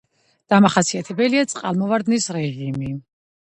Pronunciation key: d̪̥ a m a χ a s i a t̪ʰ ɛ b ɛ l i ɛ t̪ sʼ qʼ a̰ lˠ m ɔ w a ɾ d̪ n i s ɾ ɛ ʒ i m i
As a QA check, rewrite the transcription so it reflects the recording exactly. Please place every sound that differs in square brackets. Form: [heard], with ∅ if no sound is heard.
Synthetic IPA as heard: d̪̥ a m a χ a s i a t̪ʰ ɛ b ɛ l i [a] t̪ sʼ qʼ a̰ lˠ m ɔ [v] a ɾ d̪ n i s ɾ ɛ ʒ i m i